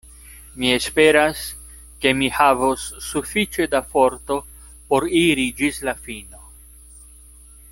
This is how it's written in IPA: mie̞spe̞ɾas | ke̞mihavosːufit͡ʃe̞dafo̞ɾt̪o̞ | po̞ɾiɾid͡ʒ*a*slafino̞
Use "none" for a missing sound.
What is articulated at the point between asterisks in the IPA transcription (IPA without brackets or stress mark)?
i